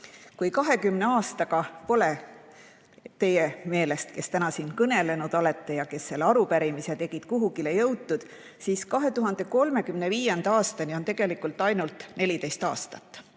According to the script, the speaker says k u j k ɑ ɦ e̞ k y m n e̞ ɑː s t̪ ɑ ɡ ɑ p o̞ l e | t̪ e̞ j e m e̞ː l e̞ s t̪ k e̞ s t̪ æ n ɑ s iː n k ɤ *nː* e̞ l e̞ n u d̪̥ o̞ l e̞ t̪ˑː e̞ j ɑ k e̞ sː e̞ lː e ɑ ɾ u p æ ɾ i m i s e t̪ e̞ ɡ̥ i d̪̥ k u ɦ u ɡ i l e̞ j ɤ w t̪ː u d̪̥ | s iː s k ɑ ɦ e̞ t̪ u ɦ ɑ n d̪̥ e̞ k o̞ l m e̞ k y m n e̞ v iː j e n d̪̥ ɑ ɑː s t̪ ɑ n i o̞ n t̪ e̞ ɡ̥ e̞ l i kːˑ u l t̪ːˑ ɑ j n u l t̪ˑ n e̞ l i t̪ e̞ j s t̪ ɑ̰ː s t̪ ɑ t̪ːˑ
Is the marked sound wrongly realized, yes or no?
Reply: yes